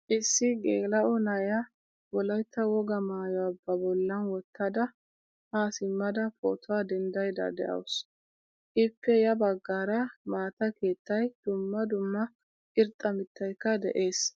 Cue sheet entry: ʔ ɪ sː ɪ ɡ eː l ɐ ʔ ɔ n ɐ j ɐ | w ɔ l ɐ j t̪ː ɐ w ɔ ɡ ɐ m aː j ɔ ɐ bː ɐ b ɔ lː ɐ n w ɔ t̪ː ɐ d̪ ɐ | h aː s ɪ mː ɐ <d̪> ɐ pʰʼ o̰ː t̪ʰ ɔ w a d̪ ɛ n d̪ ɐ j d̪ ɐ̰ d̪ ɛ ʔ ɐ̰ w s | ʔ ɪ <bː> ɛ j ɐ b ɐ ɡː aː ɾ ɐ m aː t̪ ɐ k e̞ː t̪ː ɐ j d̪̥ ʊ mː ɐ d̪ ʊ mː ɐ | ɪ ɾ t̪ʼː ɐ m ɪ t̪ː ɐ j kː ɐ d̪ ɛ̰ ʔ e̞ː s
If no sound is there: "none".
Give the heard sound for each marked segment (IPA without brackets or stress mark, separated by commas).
d̪, pː